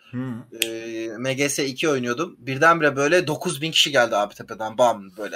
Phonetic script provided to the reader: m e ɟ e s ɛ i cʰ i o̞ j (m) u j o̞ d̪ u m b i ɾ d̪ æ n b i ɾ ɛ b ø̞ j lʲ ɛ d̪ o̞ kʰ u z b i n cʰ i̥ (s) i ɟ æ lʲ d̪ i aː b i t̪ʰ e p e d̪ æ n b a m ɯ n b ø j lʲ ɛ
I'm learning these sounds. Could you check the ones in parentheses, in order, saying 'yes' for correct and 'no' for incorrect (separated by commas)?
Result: no, no